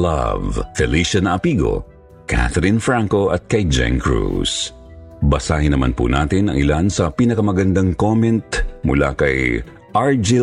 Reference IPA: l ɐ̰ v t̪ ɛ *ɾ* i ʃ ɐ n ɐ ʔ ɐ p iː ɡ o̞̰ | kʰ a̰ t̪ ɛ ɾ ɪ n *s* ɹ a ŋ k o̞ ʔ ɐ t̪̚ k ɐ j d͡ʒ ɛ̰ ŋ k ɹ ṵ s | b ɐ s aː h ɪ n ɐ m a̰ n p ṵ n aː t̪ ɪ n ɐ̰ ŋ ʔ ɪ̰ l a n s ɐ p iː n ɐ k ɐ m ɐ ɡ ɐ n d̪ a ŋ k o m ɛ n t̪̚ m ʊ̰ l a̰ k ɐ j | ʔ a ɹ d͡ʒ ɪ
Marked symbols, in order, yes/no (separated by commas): no, no